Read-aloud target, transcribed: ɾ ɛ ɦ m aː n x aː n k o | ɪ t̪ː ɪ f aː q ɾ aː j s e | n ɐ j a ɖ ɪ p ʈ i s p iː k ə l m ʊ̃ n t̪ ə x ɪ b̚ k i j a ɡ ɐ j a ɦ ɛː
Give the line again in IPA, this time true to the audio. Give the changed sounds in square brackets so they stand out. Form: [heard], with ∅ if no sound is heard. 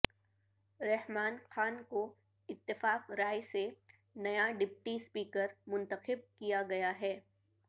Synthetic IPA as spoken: ɾ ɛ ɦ m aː n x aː n k o | ɪ t̪ː ɪ f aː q ɾ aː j s e | n ɐ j a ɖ ɪ p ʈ i s p iː k ə [ɾ] m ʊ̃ n t̪ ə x ɪ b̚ k i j a ɡ ɐ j a ɦ ɛː